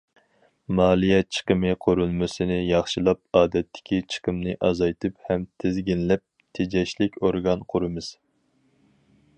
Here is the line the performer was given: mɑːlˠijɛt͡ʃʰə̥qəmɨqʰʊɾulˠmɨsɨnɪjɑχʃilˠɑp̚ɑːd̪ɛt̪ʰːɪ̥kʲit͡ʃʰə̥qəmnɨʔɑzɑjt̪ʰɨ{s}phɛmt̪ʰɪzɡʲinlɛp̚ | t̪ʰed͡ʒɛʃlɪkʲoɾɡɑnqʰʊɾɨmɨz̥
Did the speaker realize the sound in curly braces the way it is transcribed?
no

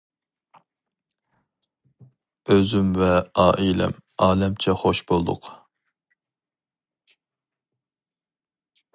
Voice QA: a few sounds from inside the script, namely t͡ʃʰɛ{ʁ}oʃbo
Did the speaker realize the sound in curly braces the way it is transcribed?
no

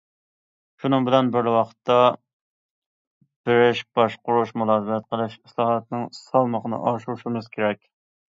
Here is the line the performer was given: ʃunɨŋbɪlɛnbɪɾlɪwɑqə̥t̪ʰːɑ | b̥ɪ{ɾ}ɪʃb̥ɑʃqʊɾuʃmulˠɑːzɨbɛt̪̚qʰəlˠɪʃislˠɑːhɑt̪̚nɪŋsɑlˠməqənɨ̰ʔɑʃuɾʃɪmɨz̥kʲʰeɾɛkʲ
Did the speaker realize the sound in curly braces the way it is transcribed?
yes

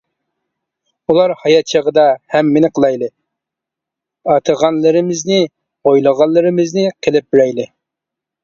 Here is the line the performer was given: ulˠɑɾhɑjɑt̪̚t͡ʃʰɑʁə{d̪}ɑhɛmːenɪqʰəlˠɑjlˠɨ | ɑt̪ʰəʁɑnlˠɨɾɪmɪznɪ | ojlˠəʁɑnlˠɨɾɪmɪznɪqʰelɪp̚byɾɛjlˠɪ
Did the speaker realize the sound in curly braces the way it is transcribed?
yes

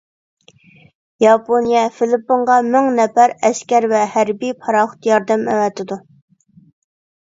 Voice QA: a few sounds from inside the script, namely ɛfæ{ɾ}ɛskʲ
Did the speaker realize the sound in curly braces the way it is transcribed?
yes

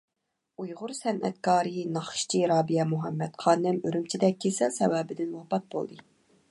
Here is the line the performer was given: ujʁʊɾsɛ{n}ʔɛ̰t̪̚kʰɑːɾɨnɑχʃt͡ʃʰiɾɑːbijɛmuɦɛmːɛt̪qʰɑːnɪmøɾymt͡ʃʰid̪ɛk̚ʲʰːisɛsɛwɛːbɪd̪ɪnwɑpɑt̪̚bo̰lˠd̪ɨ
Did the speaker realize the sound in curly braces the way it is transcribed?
yes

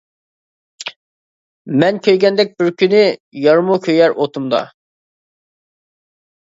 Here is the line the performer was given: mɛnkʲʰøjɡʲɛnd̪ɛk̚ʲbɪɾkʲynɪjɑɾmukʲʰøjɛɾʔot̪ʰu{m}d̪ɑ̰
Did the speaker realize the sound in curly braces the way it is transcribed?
yes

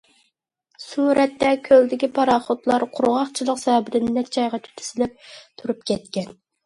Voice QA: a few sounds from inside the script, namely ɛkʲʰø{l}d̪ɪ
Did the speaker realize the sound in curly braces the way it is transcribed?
yes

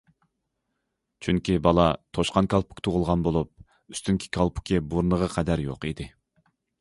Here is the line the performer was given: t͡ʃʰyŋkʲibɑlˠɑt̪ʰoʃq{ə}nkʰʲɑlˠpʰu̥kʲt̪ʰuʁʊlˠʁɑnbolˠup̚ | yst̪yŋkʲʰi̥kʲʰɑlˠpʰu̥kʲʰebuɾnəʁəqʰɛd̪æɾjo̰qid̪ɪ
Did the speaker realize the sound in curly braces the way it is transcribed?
no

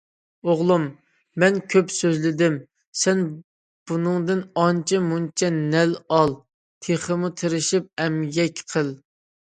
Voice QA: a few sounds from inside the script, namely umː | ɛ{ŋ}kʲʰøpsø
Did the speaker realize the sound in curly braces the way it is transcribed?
no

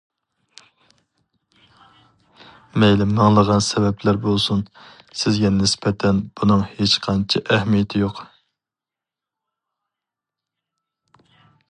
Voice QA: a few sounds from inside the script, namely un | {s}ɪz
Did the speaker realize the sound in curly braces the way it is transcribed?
yes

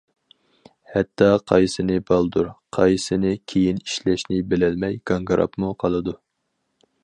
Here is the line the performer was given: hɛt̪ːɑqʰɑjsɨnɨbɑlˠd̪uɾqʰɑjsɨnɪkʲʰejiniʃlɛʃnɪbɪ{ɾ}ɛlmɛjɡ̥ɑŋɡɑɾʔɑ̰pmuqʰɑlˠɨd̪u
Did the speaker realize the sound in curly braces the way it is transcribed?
no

